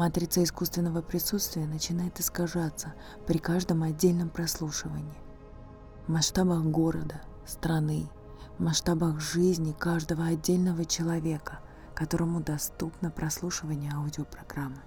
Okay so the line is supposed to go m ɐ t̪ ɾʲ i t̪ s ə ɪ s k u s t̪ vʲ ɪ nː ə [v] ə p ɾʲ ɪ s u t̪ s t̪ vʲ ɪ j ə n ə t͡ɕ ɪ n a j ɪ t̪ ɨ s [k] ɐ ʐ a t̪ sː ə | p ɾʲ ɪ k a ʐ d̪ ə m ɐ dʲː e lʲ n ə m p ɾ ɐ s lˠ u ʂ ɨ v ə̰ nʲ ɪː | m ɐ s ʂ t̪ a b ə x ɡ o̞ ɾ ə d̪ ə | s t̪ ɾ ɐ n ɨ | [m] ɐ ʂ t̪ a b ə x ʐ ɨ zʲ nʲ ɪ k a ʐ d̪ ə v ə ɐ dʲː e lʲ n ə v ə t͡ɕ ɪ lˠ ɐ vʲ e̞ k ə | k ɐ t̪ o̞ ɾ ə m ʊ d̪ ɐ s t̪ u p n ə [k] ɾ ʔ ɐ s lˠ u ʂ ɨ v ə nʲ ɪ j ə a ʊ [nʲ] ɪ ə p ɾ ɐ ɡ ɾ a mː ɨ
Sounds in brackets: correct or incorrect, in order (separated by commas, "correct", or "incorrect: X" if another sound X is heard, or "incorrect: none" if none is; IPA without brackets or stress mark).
correct, correct, correct, incorrect: p, incorrect: dʲ